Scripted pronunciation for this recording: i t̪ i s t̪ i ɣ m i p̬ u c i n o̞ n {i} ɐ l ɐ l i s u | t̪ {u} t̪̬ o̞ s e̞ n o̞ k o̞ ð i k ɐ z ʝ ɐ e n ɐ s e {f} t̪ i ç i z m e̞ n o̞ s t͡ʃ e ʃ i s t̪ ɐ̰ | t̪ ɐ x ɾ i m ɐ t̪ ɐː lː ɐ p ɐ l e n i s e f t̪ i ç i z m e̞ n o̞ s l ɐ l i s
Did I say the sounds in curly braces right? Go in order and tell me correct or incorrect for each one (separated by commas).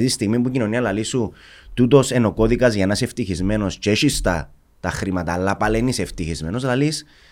correct, correct, correct